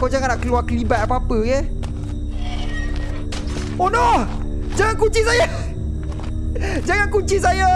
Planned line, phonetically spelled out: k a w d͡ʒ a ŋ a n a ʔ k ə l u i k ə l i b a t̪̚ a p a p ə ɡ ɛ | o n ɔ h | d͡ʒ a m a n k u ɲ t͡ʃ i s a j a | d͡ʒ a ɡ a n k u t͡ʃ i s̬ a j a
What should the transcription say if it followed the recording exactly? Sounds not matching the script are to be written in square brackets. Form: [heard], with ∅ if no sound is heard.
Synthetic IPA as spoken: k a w d͡ʒ a ŋ a n a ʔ k ə l u [a] k ə l i b a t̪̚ a p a p ə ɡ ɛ | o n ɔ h | d͡ʒ a [ŋ] a n k u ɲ t͡ʃ i s a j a | d͡ʒ a [ŋ] a n k u t͡ʃ i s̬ a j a

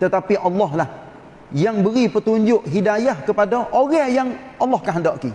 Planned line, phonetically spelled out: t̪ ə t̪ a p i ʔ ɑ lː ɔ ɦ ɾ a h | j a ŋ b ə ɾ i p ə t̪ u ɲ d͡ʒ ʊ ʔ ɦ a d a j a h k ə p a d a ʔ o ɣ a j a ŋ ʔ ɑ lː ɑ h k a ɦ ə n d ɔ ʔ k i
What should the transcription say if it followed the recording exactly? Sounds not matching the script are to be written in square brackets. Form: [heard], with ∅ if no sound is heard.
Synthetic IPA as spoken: t̪ ə t̪ a p i ʔ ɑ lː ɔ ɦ [l] a h | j a ŋ b ə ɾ i p ə t̪ u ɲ d͡ʒ ʊ ʔ ɦ [i] d a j a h k ə p a d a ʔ o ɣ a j a ŋ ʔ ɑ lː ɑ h k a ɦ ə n d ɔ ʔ k i

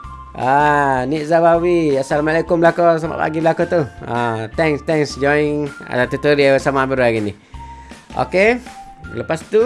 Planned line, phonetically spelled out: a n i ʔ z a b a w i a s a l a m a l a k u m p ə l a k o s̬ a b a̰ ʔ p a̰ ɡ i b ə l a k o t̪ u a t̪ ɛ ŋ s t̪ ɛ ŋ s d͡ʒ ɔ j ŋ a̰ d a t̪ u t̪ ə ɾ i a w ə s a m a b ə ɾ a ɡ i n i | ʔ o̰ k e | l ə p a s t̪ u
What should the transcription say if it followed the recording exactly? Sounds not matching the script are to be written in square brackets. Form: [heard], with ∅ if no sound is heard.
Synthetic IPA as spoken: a n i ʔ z a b a w i a s a l a m a l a k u m [b] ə l a k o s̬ a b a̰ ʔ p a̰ ɡ i b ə l a k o t̪ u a t̪ ɛ ŋ s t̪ ɛ ŋ s d͡ʒ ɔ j ŋ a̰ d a t̪ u t̪ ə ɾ i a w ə s a m a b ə ɾ a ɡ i n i | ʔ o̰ k e | l ə p a s t̪ u

